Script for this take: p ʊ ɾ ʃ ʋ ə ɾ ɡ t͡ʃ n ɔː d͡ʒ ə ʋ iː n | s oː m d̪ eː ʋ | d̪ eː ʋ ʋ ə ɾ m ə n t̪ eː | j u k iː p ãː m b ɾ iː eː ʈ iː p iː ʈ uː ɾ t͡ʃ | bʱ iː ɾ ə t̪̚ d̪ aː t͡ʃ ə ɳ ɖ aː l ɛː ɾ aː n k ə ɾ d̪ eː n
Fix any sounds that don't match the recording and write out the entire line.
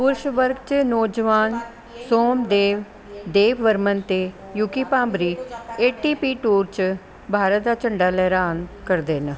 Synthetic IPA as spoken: p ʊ ɾ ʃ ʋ ə ɾ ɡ t͡ʃ n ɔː d͡ʒ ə ʋ aː n | s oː m d̪ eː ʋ | d̪ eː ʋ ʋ ə ɾ m ə n t̪ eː | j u k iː p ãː m b ɾ iː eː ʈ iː p iː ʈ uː ɾ t͡ʃ | bʱ aː ɾ ə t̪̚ d̪ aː t͡ʃ ə ɳ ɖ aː l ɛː ɾ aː n k ə ɾ d̪ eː n